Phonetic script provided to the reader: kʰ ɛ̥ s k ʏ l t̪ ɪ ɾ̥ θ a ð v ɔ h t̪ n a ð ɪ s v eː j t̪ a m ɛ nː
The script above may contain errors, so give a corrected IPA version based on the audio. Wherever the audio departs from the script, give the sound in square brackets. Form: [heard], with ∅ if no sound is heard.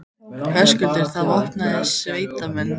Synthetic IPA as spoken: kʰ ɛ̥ s k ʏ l t̪ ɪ ɾ̥ θ a ð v ɔ h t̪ n a ð ɪ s v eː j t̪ a m ɛ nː